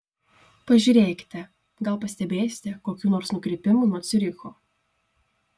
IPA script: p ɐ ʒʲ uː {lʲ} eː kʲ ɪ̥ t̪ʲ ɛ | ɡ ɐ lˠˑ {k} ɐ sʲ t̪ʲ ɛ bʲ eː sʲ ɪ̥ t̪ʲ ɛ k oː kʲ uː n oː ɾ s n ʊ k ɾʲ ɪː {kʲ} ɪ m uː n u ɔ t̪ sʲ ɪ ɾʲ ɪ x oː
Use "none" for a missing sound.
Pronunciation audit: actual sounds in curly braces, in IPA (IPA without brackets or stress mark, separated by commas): ɾʲ, p, pʲ